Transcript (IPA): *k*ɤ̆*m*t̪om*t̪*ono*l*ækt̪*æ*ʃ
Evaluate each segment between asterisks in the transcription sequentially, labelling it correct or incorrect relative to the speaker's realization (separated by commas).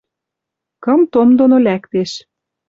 correct, correct, incorrect, correct, incorrect